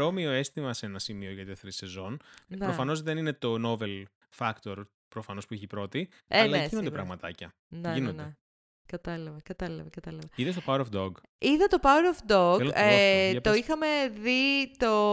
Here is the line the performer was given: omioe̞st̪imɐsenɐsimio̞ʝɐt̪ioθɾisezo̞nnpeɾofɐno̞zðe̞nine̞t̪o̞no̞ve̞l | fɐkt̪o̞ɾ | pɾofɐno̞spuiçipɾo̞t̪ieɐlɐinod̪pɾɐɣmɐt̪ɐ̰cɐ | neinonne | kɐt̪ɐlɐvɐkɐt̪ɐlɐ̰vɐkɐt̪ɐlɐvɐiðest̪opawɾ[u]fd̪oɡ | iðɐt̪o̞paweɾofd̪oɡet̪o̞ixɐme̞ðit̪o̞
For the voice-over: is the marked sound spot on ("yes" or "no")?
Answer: no